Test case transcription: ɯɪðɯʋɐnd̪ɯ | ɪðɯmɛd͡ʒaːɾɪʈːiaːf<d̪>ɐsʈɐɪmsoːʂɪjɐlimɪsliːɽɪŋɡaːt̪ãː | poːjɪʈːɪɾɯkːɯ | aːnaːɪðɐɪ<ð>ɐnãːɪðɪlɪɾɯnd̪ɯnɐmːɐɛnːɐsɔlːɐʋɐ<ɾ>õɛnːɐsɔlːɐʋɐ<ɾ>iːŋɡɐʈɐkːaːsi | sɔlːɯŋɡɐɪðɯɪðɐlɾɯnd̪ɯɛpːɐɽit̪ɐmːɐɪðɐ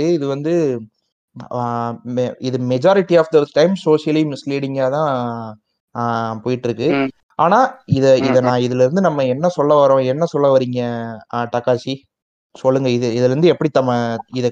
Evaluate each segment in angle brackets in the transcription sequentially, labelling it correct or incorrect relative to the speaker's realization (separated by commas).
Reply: correct, correct, correct, correct